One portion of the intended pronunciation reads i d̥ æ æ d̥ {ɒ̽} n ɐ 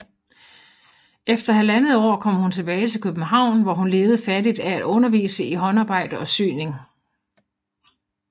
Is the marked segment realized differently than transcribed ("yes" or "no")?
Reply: yes